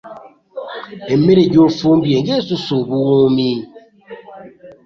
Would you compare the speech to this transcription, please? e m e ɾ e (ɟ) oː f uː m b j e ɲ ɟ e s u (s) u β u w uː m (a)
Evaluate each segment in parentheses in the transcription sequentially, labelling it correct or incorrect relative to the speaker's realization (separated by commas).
correct, correct, incorrect